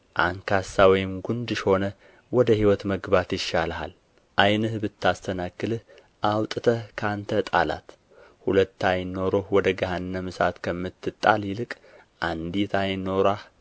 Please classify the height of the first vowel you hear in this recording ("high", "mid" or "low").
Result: low